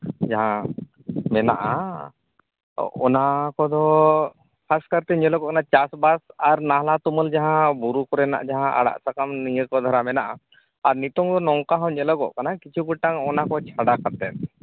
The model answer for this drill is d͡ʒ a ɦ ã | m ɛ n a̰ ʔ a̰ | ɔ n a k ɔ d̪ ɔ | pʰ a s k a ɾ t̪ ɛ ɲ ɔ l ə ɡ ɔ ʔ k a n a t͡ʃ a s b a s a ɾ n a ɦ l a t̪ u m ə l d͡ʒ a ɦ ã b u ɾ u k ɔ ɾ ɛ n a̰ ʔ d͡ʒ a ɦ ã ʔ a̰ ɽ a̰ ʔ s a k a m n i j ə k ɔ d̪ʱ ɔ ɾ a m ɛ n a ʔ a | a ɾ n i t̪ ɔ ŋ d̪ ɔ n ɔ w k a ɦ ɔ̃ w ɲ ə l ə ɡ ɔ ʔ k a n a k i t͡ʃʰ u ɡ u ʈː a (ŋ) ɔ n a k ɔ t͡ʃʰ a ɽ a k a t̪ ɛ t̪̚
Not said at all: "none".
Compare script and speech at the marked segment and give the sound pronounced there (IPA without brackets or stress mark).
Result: ŋ